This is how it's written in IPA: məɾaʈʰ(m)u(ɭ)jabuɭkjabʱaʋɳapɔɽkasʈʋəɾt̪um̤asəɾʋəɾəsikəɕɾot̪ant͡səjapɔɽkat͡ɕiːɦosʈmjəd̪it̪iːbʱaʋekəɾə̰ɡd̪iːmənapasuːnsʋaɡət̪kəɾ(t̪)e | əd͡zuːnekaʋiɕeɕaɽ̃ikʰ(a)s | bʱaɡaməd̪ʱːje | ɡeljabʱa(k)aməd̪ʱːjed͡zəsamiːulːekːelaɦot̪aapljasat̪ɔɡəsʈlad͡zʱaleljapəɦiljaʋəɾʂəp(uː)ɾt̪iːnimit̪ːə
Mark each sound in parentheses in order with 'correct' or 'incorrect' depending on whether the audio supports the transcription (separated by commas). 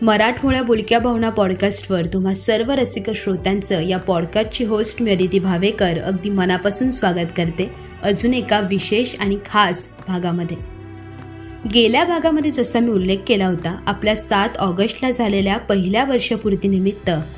correct, correct, correct, correct, incorrect, incorrect